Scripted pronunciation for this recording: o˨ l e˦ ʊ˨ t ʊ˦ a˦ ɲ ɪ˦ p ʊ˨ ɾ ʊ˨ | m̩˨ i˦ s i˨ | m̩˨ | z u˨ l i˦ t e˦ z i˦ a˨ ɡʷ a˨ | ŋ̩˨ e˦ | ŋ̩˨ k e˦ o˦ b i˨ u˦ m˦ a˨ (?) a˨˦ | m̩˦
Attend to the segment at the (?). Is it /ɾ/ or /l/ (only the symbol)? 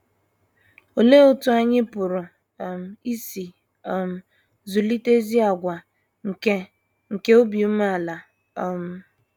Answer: l